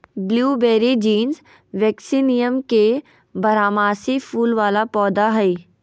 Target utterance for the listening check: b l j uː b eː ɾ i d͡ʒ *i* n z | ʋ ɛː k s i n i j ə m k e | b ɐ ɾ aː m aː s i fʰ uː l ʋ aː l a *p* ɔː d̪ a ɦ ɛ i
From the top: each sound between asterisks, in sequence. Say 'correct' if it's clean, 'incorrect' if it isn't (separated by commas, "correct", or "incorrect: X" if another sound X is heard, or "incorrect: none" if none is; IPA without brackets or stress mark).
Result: incorrect: iː, correct